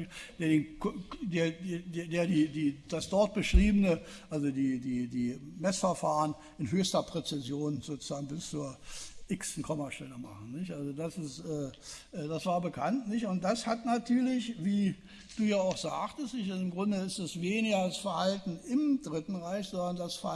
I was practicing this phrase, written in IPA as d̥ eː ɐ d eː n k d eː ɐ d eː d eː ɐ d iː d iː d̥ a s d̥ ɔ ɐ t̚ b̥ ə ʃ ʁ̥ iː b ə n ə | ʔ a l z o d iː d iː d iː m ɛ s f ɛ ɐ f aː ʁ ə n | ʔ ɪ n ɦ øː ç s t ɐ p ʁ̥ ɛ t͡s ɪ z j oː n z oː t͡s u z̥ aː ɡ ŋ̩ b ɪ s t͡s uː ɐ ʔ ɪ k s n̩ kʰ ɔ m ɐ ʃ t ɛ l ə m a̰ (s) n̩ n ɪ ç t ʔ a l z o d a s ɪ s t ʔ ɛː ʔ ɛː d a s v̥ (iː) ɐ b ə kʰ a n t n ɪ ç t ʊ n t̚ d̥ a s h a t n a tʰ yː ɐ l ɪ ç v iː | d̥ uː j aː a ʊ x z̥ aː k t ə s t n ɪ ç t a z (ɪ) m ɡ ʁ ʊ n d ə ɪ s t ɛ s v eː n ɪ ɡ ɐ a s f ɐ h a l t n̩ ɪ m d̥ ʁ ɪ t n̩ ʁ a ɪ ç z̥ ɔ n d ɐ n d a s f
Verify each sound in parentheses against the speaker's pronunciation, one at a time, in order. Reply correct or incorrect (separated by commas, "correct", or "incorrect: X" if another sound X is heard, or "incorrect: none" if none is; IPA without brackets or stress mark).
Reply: incorrect: χ, incorrect: aː, correct